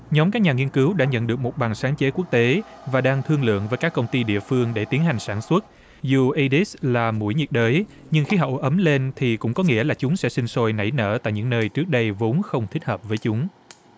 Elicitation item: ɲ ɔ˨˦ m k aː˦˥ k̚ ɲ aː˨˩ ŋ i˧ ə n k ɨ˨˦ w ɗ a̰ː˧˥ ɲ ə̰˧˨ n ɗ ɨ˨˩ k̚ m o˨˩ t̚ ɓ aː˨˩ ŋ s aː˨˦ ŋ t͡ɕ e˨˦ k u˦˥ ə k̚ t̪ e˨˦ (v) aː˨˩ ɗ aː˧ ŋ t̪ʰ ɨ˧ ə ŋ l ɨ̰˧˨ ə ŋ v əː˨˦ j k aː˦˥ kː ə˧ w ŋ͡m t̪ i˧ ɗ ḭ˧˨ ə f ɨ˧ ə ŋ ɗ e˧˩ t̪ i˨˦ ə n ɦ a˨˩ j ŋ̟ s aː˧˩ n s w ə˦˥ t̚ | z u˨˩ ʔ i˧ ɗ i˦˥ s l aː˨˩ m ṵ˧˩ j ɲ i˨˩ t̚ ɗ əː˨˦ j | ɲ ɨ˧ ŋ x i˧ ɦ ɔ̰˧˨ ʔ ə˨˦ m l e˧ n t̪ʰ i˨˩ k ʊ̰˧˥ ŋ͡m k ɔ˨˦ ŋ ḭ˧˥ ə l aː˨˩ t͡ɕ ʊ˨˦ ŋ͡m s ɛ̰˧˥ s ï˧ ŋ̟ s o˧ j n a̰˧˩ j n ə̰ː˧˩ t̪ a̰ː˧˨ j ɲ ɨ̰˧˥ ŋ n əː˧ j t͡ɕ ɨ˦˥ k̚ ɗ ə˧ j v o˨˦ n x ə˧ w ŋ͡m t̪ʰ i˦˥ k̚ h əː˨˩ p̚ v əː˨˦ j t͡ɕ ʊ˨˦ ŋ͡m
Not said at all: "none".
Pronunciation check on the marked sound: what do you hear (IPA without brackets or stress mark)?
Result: v